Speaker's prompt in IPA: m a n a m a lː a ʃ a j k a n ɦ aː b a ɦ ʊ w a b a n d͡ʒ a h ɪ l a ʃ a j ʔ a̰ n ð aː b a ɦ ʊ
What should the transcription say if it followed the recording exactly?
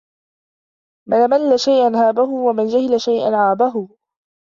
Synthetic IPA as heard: m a n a m a lː a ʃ a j ʔ a n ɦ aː b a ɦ ʊ w a m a n d͡ʒ a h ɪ l a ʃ a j ʔ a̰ n ʕ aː b a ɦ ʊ